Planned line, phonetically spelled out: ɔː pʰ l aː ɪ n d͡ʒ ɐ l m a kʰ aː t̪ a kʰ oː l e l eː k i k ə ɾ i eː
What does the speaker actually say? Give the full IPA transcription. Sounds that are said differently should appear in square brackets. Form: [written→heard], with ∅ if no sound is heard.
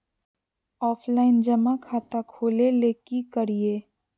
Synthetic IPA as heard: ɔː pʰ l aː ɪ n d͡ʒ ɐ [l→∅] m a kʰ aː t̪ a kʰ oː l e l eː k i k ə ɾ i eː